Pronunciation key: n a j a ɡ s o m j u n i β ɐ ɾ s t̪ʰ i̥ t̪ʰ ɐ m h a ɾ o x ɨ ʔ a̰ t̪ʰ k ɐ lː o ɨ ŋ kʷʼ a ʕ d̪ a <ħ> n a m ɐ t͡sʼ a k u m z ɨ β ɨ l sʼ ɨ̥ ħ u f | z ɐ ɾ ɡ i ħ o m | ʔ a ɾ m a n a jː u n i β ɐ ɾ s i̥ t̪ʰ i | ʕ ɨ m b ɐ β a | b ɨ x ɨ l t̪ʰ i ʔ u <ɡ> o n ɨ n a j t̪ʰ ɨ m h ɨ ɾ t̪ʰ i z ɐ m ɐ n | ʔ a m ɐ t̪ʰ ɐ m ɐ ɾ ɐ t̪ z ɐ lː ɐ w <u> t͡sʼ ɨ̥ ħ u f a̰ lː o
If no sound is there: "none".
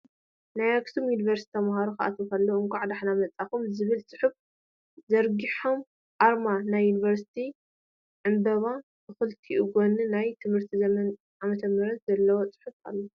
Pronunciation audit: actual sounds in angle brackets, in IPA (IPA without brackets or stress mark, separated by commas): ħ, ɡ, o